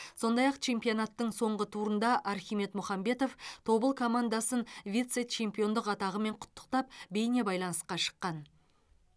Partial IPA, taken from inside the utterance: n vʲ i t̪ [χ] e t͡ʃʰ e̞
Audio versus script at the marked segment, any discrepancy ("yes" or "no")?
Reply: yes